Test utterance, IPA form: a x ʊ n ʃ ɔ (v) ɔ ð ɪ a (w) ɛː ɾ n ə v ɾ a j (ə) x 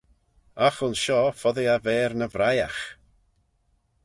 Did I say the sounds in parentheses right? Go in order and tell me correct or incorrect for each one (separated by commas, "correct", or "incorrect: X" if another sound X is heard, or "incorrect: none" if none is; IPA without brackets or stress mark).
incorrect: f, incorrect: v, incorrect: a